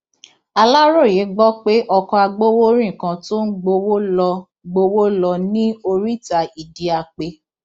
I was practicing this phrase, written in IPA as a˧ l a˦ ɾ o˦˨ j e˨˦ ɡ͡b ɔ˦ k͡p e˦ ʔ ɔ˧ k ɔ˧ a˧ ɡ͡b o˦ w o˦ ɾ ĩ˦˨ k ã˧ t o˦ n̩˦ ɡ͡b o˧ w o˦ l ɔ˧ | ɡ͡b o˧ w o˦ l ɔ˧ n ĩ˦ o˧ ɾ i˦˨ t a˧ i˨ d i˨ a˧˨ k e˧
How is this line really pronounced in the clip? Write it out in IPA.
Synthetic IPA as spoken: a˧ l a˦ ɾ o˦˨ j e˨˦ ɡ͡b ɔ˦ k͡p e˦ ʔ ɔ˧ k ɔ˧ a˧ ɡ͡b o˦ w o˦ ɾ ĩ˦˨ k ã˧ t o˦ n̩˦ ɡ͡b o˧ w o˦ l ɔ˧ | ɡ͡b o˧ w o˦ l ɔ˧ n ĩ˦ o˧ ɾ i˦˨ t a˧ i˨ d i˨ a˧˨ k͡p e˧